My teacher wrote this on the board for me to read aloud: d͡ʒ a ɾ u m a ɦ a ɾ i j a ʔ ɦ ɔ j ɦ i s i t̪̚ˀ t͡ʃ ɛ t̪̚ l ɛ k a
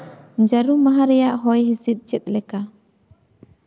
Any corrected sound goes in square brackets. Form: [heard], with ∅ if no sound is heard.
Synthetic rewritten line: d͡ʒ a ɾ u m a ɦ a ɾ [ɛ] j a ʔ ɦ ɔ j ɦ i s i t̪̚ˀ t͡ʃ ɛ t̪̚ l ɛ k a